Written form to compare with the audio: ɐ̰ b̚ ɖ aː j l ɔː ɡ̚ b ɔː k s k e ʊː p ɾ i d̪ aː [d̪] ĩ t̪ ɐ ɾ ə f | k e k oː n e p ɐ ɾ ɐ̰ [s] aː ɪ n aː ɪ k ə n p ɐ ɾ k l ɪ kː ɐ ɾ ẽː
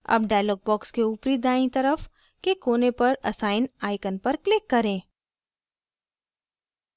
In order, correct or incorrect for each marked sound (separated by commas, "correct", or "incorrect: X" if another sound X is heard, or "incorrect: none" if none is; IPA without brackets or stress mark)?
incorrect: none, correct